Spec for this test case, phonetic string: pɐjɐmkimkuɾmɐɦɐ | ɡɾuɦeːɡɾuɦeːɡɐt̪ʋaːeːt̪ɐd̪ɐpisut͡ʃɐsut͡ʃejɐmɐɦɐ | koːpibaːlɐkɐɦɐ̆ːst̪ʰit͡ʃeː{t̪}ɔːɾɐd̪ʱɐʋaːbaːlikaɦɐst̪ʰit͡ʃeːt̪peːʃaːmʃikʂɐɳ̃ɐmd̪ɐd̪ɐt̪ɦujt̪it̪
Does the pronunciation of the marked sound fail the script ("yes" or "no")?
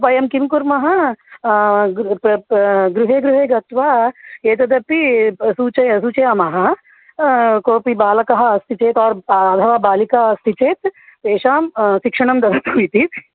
no